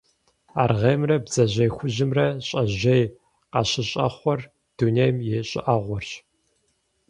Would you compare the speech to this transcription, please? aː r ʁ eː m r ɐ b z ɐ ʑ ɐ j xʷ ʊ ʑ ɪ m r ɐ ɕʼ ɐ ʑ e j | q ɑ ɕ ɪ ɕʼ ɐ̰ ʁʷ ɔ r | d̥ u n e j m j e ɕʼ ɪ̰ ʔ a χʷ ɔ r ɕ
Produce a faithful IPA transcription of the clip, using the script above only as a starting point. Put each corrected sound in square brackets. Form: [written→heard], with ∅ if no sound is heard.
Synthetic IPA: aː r ʁ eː m r ɐ b z ɐ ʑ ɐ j xʷ ʊ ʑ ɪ m r ɐ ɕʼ ɐ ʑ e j | q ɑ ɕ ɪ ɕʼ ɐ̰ [ʁʷ→χʷ] ɔ r | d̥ u n e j m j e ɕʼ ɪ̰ ʔ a [χʷ→ʁʷ] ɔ r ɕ